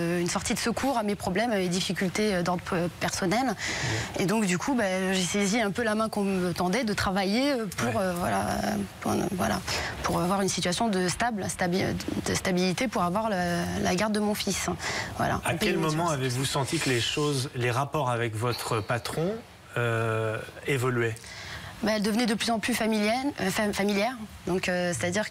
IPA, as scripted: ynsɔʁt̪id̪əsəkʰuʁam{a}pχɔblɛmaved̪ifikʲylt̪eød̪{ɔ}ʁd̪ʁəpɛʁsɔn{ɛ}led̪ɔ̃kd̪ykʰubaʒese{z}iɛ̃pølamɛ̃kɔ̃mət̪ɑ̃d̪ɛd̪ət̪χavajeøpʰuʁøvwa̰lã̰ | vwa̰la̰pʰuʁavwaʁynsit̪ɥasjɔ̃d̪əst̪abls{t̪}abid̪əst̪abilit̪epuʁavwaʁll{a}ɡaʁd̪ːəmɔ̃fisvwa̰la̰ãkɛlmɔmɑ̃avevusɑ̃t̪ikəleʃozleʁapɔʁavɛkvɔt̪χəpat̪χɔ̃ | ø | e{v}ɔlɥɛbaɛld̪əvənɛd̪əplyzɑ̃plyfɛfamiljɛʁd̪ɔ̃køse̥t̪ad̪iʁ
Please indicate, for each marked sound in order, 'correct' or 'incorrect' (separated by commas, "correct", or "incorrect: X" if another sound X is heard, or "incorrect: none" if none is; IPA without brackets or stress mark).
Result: incorrect: e, correct, correct, correct, correct, correct, correct